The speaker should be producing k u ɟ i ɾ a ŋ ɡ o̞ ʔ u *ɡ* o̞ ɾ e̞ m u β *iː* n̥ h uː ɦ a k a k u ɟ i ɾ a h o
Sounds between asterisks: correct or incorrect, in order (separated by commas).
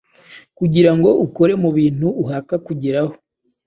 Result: incorrect, correct